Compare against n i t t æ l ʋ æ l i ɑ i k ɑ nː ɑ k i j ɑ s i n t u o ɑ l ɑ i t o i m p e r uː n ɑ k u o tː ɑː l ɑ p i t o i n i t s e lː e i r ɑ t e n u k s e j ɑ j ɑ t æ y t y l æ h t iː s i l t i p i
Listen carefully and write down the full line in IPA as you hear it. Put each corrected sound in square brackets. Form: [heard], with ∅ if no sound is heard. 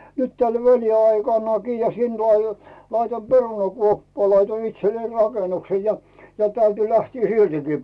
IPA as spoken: n [y] t t æ l ʋ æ l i ɑ i k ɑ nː ɑ k i j ɑ s i n t u o ɑ l ɑ i t o i m p e r [u] n ɑ k u o [pː] ɑː l ɑ [∅] i t o i n i t s e lː e i r ɑ [k] e n u k s e j ɑ j ɑ t æ y t y l æ h t iː s i l t i [k] i